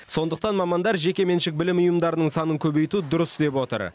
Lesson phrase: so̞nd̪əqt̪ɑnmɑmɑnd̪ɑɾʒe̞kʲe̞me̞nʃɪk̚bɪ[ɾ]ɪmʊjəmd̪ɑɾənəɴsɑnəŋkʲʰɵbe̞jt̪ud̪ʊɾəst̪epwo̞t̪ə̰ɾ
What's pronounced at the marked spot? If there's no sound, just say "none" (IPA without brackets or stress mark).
l